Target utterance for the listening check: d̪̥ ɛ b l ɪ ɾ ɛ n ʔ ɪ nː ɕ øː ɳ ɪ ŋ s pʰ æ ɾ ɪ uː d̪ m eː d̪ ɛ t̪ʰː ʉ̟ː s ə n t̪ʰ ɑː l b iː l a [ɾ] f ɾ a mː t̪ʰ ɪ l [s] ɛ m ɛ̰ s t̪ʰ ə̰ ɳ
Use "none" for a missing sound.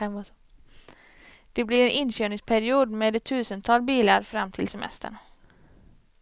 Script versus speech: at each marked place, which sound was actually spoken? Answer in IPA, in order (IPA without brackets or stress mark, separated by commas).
ɾ, s